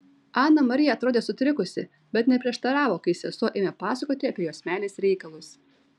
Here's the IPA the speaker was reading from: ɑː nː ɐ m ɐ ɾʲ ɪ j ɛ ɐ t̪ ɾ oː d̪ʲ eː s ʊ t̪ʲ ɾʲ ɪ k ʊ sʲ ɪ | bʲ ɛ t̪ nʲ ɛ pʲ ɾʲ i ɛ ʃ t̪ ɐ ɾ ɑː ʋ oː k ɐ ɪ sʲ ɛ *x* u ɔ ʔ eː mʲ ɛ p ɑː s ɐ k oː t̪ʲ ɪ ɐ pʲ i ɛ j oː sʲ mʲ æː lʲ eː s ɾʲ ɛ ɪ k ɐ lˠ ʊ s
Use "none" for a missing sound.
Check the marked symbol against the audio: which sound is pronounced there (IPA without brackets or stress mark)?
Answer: s